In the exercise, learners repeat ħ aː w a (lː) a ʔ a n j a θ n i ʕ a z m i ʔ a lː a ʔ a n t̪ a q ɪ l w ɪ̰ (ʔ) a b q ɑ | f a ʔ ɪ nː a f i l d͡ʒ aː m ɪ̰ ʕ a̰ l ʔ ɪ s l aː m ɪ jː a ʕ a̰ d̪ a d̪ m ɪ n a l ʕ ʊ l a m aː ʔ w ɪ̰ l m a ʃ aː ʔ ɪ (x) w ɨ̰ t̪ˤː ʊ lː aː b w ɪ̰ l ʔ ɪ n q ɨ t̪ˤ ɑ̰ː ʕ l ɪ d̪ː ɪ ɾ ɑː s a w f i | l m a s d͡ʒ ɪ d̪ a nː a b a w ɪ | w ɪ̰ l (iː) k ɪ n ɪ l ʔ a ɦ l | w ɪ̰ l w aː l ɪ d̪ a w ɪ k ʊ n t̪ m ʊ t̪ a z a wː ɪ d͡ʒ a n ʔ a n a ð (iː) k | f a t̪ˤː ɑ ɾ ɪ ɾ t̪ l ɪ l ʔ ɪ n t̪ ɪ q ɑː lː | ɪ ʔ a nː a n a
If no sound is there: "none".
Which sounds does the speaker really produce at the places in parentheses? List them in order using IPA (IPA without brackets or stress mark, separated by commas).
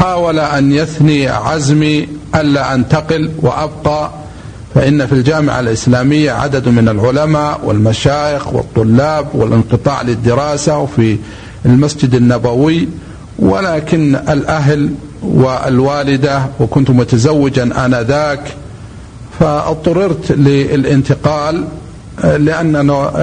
l, ʔ, x, aː, aː